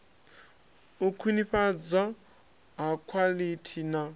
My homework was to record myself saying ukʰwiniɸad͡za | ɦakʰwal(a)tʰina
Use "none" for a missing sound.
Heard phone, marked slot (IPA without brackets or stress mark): i